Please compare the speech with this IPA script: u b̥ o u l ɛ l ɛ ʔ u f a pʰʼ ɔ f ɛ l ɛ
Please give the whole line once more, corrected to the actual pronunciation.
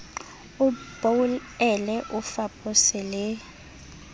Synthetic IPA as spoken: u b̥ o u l ɛ l ɛ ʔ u f a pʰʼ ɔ s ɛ l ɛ